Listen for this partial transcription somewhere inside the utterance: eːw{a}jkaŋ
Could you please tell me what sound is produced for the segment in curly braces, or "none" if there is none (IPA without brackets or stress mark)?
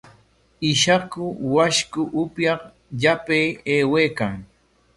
e